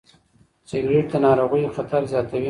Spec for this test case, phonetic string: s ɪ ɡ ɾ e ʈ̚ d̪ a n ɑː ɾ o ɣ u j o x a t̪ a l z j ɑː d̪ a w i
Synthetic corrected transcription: s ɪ ɡ ɾ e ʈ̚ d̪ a n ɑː ɾ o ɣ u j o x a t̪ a ɾ z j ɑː t̪ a w i